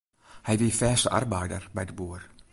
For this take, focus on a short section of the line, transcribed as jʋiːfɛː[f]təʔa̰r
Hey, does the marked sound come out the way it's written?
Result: no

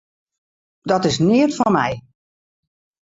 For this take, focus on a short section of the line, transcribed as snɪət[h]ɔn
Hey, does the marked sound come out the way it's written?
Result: no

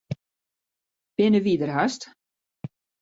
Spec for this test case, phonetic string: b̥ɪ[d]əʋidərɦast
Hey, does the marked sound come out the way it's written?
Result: no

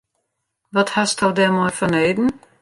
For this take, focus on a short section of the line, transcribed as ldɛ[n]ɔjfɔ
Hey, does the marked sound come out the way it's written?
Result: no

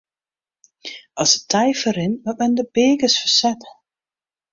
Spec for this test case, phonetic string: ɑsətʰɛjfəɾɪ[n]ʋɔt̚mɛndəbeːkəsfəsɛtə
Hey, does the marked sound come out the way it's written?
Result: yes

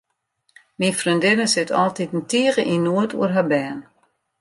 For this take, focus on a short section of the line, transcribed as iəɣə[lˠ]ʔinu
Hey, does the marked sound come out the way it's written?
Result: no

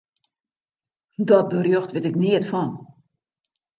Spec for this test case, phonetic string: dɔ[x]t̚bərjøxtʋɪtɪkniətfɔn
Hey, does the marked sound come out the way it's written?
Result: no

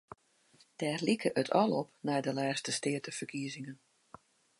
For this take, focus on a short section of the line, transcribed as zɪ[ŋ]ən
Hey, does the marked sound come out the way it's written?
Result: yes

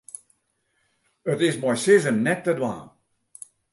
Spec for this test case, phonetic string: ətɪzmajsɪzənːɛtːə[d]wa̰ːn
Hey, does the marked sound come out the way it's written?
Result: yes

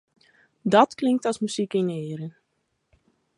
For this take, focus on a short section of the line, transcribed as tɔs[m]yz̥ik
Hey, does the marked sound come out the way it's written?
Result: yes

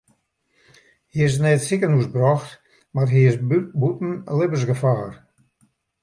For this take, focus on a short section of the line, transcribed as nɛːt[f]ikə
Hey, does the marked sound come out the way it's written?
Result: no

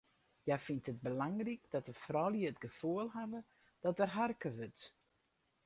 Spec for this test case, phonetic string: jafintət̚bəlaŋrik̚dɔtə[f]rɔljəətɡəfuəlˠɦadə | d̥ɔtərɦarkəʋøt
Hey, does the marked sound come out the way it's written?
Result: yes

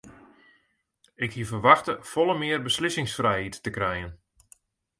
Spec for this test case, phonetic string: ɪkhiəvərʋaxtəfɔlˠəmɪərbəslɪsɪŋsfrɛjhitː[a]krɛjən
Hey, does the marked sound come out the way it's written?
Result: no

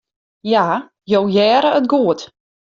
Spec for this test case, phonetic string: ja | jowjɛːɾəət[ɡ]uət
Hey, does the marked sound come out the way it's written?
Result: yes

